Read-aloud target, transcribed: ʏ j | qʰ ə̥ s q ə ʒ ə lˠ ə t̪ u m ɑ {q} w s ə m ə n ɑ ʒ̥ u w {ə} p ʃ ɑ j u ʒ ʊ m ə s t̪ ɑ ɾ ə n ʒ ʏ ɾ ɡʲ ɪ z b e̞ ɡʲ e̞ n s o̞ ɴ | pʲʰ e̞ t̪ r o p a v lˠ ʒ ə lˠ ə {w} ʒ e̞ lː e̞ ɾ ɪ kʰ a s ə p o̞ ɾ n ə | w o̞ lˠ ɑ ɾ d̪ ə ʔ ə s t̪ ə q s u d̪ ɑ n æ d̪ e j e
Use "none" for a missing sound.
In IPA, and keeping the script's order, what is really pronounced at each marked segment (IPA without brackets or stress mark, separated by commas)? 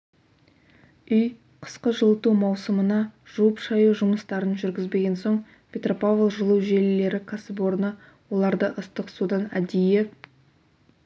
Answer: none, ə, w